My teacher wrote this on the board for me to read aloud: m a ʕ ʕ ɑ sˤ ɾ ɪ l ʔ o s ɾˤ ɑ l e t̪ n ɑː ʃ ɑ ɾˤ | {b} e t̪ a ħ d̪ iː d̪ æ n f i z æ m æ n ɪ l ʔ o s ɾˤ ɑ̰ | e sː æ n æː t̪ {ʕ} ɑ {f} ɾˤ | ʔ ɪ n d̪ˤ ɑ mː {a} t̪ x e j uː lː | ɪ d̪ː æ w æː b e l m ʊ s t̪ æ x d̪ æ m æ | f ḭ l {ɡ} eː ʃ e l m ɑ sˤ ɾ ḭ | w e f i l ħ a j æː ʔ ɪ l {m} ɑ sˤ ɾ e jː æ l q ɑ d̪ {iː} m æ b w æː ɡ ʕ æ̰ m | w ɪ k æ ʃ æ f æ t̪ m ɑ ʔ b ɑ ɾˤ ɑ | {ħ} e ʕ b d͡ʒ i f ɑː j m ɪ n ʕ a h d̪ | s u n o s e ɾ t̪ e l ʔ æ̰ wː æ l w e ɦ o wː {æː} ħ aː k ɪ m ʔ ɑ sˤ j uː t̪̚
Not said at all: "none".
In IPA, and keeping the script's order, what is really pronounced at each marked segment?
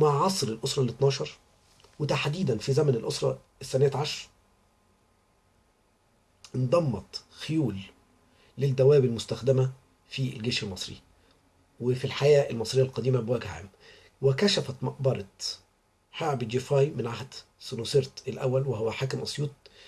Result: w, ʕ, ʃ, ɑ, ɡ, m, iː, ħ, æ

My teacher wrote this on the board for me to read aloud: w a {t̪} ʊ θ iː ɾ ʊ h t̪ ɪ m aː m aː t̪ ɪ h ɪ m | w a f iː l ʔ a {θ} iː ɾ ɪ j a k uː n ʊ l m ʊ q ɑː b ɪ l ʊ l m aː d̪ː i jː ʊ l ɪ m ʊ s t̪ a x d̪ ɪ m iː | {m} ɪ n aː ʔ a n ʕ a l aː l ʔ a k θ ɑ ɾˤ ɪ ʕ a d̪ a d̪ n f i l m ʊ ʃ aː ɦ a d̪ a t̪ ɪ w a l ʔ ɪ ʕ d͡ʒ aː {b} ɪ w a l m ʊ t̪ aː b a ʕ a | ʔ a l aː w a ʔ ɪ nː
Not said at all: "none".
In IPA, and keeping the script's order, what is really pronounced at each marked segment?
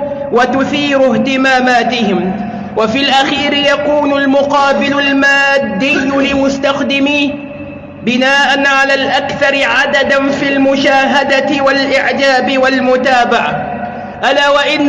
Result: t̪, x, b, b

